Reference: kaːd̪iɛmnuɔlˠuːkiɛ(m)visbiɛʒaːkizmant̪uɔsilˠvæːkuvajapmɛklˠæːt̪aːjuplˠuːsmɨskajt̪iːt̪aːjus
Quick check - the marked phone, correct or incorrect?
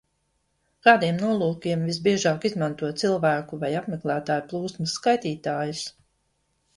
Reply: correct